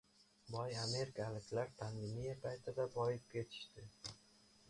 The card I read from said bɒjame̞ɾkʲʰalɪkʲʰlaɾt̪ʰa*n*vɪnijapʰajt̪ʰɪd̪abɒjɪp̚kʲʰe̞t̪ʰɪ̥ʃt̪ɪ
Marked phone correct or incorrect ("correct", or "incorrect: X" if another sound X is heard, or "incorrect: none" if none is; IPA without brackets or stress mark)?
correct